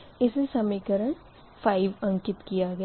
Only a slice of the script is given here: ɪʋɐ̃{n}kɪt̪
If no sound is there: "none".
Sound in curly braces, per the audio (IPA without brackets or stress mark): ŋ